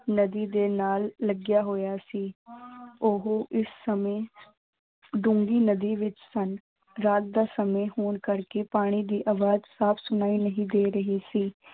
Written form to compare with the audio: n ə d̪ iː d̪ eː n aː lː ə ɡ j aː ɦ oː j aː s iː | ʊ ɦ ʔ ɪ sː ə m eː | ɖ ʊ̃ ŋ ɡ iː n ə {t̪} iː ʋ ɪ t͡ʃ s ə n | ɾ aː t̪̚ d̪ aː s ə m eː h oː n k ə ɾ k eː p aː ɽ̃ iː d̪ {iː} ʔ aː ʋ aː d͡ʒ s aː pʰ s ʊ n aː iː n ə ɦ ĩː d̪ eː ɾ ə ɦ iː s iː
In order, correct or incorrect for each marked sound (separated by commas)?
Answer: incorrect, correct